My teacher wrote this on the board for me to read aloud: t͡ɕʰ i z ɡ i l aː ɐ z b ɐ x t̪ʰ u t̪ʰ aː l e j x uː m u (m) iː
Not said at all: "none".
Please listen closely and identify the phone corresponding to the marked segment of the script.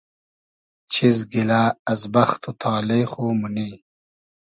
n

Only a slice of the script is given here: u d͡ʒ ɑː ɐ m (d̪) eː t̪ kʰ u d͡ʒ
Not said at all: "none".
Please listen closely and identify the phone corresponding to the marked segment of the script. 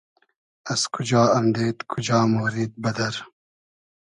d̪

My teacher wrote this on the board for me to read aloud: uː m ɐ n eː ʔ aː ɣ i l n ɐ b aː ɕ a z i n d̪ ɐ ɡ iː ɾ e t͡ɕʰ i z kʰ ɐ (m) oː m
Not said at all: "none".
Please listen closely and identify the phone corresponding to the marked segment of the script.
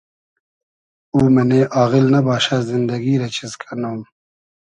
n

